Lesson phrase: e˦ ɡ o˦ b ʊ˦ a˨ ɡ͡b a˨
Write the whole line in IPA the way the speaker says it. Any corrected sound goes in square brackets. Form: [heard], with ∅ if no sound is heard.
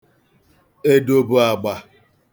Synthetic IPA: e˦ [d] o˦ b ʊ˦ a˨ ɡ͡b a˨

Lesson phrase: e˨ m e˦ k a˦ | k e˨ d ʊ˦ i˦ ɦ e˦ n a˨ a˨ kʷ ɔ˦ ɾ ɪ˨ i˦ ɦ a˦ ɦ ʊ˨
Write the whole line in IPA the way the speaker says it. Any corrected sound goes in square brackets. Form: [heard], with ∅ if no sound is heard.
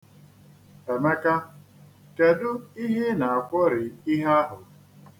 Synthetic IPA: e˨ m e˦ k a˦ | k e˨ d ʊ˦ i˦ ɦ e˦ n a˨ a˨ kʷ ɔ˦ ɾ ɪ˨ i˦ ɦ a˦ ɦ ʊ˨

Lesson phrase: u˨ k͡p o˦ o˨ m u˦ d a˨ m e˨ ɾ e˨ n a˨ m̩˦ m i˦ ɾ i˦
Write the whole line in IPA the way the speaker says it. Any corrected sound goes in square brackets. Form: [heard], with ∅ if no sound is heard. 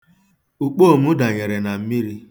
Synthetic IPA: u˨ k͡p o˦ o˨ m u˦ d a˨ [ɲ] e˨ ɾ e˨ n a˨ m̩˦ m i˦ ɾ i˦

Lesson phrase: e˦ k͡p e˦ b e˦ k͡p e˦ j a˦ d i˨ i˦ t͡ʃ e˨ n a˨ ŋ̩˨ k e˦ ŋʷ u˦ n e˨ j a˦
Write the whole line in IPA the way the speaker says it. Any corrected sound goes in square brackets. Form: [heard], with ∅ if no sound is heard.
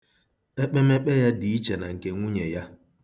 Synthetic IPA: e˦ k͡p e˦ [m] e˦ k͡p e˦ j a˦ d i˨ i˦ t͡ʃ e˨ n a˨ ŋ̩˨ k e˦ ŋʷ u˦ [ɲ] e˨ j a˦

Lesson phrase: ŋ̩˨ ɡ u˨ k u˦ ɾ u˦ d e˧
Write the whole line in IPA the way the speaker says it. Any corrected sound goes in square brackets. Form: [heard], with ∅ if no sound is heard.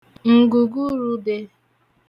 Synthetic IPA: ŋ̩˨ ɡ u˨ [ɡ] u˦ ɾ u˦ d e˧

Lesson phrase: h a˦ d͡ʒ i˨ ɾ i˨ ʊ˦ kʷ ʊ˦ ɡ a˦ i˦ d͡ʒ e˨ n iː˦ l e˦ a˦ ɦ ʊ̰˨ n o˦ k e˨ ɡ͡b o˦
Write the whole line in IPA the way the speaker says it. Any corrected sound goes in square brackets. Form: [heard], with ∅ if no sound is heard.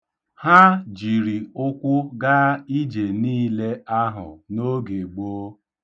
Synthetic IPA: h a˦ d͡ʒ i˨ ɾ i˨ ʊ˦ kʷ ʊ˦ ɡ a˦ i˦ d͡ʒ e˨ n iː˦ l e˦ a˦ ɦ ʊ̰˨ n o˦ [ɡ] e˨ ɡ͡b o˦

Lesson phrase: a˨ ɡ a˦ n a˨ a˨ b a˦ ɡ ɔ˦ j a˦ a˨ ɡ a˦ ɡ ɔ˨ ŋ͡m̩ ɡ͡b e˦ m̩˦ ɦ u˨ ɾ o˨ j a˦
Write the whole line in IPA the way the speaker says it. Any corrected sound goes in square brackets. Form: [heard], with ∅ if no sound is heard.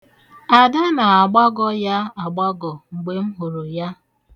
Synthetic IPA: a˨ [d] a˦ n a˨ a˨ [ɡ͡b] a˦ ɡ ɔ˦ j a˦ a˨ [ɡ͡b] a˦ ɡ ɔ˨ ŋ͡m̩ ɡ͡b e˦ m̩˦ ɦ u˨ ɾ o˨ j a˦

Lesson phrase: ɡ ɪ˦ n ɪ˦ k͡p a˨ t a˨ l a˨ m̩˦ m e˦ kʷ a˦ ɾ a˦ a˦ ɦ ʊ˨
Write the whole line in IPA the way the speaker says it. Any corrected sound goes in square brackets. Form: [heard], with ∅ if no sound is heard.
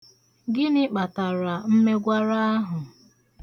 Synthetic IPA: ɡ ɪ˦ n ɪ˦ k͡p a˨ t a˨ [ɾ] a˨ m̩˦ m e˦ [ɡʷ] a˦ ɾ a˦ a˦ ɦ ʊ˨

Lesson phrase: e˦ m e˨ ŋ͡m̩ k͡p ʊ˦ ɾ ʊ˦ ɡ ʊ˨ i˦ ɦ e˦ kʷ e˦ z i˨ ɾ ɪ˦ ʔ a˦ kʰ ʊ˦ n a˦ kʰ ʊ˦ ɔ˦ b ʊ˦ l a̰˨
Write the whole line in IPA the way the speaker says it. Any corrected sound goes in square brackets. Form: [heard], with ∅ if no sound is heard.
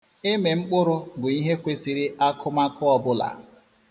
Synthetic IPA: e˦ m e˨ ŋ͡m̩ k͡p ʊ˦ ɾ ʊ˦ ɡ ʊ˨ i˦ ɦ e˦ kʷ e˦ [s] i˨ ɾ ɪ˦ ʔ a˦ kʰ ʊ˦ [m] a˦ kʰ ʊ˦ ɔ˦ b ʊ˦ l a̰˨

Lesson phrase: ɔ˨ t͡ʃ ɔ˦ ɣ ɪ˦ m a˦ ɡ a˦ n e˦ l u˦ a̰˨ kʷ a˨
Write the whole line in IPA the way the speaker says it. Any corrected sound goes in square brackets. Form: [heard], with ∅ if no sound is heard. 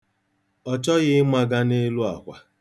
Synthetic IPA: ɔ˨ t͡ʃ ɔ˦ ɣ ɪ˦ m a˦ ɡ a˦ n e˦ l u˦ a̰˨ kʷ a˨

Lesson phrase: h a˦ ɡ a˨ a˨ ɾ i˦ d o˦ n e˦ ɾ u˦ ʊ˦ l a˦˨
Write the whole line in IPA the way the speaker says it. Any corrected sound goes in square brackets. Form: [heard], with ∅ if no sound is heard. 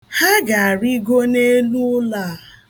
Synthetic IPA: h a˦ ɡ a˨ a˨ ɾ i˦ [ɡ] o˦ n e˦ [l] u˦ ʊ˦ l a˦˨

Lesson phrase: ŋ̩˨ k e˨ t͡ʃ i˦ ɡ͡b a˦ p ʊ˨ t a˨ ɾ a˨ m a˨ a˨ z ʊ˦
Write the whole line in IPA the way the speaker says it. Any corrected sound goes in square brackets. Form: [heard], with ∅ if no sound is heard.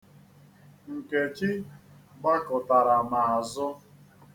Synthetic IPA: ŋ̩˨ k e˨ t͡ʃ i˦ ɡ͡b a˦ [k] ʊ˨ t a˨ ɾ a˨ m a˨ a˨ z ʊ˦

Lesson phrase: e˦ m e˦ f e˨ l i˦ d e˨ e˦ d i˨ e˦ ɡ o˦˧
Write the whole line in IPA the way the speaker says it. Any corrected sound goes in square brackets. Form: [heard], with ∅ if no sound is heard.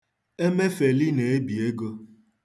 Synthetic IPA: e˦ m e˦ f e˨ l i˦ [n] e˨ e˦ [b] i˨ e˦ ɡ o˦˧

